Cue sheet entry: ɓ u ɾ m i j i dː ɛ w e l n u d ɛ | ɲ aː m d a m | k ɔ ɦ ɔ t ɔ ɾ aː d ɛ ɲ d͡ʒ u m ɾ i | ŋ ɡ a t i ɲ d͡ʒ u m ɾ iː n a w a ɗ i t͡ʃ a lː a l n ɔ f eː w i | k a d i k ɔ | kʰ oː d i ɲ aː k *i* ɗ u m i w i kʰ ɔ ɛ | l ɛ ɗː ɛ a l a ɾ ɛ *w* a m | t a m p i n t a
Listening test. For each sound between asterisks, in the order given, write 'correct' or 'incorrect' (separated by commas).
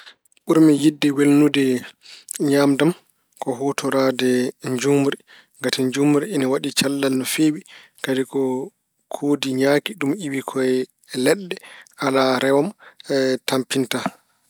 correct, correct